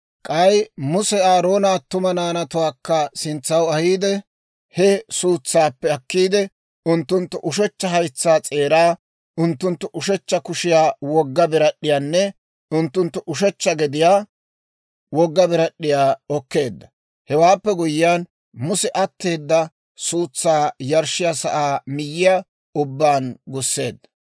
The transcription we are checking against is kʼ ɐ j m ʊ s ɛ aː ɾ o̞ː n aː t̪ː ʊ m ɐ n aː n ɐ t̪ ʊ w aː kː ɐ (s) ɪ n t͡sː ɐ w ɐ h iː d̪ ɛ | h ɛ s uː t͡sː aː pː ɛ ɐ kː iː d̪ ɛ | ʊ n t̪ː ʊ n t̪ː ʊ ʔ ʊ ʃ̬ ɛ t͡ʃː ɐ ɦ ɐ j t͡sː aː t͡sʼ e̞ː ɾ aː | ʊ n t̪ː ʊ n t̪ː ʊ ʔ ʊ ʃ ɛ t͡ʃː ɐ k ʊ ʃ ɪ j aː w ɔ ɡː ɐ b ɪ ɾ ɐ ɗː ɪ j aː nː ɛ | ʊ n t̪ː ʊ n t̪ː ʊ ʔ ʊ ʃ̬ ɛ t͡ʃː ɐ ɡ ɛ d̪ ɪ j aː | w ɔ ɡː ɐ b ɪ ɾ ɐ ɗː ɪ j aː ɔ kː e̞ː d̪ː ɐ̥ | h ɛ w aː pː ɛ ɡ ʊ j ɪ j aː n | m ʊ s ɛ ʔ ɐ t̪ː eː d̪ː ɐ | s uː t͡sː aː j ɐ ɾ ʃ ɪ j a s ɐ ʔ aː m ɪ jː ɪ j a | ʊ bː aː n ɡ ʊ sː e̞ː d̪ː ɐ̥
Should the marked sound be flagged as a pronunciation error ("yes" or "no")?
no